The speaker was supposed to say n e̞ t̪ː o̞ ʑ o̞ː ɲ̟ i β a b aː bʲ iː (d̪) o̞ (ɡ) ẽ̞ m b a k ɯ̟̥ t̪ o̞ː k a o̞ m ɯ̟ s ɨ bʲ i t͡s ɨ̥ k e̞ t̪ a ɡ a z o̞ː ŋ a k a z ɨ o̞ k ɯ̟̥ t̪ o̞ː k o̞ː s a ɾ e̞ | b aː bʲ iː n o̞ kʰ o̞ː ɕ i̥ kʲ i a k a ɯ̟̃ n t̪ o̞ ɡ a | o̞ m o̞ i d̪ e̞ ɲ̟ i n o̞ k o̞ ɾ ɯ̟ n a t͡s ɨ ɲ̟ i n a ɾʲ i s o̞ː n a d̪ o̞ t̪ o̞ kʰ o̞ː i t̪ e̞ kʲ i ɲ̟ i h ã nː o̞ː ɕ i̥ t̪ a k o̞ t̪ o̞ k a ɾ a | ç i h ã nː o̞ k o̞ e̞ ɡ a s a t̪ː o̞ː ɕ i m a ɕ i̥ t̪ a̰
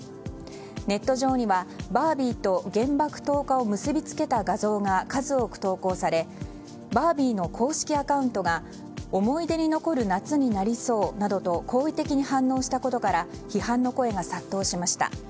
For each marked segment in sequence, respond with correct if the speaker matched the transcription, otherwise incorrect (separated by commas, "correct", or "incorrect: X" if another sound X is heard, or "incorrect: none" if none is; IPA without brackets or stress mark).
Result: incorrect: t̪, correct